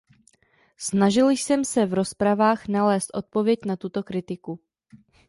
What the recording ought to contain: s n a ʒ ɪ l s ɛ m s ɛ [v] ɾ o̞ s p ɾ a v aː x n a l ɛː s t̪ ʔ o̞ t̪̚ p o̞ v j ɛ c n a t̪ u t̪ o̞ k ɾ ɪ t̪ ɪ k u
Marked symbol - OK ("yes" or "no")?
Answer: yes